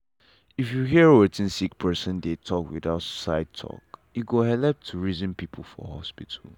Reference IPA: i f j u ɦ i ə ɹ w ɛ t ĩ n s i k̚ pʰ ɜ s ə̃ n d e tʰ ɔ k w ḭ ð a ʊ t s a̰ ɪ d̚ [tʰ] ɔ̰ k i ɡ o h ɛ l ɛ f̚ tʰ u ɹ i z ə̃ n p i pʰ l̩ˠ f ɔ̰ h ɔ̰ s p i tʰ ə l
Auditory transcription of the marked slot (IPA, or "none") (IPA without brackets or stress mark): tʰ